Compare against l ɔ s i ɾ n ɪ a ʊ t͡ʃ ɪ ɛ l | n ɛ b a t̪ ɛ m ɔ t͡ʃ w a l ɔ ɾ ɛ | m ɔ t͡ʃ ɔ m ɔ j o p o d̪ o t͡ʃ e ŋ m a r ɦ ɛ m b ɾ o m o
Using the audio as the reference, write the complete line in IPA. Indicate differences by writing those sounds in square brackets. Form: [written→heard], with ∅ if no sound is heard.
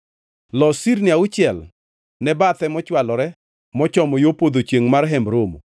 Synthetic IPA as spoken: l ɔ s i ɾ n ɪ a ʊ t͡ʃ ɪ ɛ l | n ɛ b a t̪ ɛ m ɔ t͡ʃ w a l ɔ ɾ ɛ | m ɔ t͡ʃ ɔ m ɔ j o p o d̪ o t͡ʃ e ŋ m a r ɦ ɛ m b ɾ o m o

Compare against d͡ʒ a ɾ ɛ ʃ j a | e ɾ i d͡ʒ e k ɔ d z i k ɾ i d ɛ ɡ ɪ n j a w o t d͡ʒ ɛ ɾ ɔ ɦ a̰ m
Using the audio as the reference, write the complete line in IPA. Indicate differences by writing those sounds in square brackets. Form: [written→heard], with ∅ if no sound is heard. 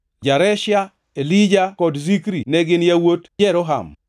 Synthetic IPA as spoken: d͡ʒ a ɾ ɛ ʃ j a | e [ɾ→l] i d͡ʒ [e→a] k ɔ d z i k ɾ i [d→n] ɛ ɡ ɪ n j a w o t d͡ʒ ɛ ɾ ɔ ɦ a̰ m

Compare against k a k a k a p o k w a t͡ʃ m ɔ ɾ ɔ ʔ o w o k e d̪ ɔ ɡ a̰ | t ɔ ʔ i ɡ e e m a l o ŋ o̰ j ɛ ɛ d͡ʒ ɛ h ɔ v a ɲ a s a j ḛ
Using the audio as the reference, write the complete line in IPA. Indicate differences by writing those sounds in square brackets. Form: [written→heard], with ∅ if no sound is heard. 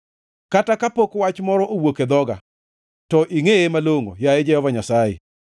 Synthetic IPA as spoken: k a [k→t] a k a p o k w a t͡ʃ m ɔ ɾ ɔ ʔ o w o k e d̪ ɔ ɡ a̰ | t ɔ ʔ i [ɡ→ŋ] e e m a l o ŋ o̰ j [ɛ→a] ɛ d͡ʒ ɛ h ɔ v a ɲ a s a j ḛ

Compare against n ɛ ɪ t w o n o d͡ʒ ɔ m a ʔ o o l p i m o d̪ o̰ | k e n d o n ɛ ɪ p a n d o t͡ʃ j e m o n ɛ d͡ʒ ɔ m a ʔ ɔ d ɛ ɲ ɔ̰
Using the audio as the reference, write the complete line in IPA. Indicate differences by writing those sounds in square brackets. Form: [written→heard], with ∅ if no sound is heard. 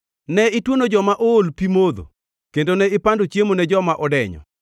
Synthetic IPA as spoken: n ɛ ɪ t w o n o d͡ʒ ɔ m a ʔ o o l p i m o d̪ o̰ | k e n d o n ɛ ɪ p a n d o t͡ʃ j e m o n ɛ d͡ʒ ɔ m a ʔ ɔ d ɛ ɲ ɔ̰

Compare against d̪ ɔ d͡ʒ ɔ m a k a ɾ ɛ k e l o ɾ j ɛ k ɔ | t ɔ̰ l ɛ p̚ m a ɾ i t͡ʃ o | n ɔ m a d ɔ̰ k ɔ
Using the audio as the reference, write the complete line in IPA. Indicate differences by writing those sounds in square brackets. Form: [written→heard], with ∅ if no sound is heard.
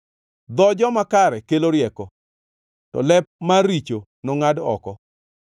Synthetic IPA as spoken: d̪ ɔ d͡ʒ ɔ m a k a ɾ ɛ k e l o ɾ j ɛ k ɔ | t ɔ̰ l ɛ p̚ m a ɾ i t͡ʃ o | n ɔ [m→ŋ] a d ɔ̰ k ɔ

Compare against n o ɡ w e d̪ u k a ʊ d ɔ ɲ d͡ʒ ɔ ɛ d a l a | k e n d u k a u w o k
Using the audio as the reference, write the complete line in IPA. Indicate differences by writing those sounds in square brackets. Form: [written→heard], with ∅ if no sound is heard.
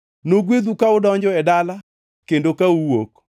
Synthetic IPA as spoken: n o ɡ w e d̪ u k a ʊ d ɔ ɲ d͡ʒ ɔ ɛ d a l a | k e n d [u→o] k a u w o k

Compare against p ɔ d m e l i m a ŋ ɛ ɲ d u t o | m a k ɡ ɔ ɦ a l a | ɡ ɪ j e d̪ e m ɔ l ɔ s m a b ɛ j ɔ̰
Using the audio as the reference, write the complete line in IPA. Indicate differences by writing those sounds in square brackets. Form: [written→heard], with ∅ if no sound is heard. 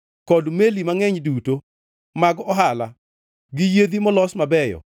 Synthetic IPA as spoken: [p→k] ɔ d m e l i m a ŋ ɛ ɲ d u t o | m a [k→∅] ɡ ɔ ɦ a l a | ɡ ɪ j e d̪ [e→i] m ɔ l ɔ s m a b ɛ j ɔ̰

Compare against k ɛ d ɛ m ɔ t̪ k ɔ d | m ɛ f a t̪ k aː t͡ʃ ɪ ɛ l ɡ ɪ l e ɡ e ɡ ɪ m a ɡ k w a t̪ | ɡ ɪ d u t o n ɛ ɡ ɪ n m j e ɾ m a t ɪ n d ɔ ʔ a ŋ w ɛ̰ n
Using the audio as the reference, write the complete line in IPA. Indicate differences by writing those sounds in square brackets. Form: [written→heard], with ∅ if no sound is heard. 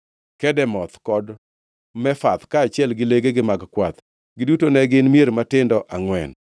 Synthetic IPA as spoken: k ɛ d ɛ m ɔ t̪ k ɔ d | m ɛ f a t̪ k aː t͡ʃ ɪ ɛ l ɡ ɪ l e ɡ e ɡ ɪ m a ɡ k w a t̪ | ɡ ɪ d u t o n ɛ ɡ ɪ n m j e ɾ m a t ɪ n d ɔ ʔ a ŋ w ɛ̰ n

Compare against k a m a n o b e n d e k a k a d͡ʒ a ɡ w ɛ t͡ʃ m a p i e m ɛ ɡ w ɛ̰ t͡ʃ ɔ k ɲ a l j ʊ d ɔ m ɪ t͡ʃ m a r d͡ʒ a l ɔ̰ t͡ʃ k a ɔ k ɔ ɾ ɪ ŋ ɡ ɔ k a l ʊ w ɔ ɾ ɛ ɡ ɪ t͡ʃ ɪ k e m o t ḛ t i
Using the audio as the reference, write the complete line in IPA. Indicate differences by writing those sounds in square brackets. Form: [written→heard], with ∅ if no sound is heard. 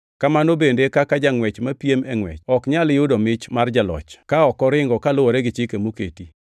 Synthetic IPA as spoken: k a m a n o b e n d e k a k a d͡ʒ a [ɡ→ŋ] w ɛ t͡ʃ m a p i e m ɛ [ɡ→ŋ] w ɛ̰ t͡ʃ ɔ k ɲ a l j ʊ d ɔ m ɪ t͡ʃ m a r d͡ʒ a l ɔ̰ t͡ʃ k a ɔ k ɔ ɾ ɪ ŋ ɡ ɔ k a l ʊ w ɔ ɾ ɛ ɡ ɪ t͡ʃ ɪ k e m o [t→k] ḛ t i

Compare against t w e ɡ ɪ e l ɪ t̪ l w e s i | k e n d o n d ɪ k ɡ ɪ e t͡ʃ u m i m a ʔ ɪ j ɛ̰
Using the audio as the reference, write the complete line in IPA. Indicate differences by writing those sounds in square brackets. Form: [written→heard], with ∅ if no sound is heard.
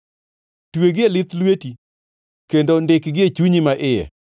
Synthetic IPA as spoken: t w e ɡ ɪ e l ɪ t̪ l w e [s→t] i | k e n d o n d ɪ k ɡ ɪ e t͡ʃ u [m→ɲ] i m a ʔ ɪ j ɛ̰

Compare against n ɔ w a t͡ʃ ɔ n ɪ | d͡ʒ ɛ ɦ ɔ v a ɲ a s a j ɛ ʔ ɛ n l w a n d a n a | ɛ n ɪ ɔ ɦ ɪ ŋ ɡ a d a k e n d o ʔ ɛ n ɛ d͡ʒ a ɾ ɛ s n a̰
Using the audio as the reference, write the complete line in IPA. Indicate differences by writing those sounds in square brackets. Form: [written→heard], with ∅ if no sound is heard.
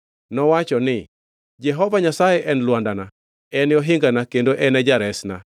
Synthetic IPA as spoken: n ɔ w a t͡ʃ ɔ n ɪ | d͡ʒ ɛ ɦ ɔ v a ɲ a s a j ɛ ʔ ɛ n l w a n d a n a | ɛ n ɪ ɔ ɦ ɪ ŋ ɡ a [d→n] a k e n d o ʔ ɛ n ɛ d͡ʒ a ɾ ɛ s n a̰

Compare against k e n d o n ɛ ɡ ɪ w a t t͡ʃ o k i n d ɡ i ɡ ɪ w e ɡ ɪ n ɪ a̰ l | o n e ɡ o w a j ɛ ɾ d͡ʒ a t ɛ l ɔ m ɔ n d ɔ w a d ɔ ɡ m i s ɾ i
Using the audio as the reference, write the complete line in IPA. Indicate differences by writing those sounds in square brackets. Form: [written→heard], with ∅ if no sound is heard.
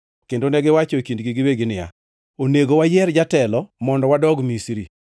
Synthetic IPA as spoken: k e n d o n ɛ ɡ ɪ w a [t→∅] t͡ʃ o k i n d ɡ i ɡ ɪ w e ɡ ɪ n ɪ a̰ [l→∅] | o n e ɡ o w a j ɛ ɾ d͡ʒ a t ɛ l ɔ m ɔ n d ɔ w a d ɔ ɡ m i s ɾ i

